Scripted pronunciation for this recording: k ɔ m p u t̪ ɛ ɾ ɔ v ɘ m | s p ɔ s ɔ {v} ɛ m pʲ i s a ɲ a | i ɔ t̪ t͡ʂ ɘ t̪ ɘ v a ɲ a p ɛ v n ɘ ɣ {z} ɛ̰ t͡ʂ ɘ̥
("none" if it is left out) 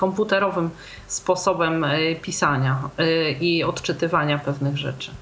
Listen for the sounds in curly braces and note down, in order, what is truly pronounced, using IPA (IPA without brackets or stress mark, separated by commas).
b, ʐ